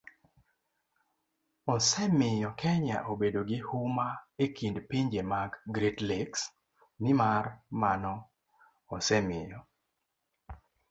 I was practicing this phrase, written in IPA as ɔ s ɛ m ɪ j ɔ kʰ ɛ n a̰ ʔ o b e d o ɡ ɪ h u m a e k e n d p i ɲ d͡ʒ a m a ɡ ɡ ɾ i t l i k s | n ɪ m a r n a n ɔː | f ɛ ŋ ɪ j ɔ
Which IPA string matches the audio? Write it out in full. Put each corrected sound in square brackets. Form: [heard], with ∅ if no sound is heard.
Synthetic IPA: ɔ s ɛ m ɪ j ɔ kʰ ɛ [ɲ] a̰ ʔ o b e d o ɡ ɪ h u m a e k [i] n d p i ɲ d͡ʒ [e] m a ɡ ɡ ɾ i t l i k s | n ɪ m a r [m] a n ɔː | [s] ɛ [m] ɪ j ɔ